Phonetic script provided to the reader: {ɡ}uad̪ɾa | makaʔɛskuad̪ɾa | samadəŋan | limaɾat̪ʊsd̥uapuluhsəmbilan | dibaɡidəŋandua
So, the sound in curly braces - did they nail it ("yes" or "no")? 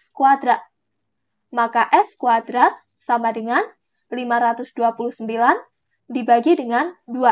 no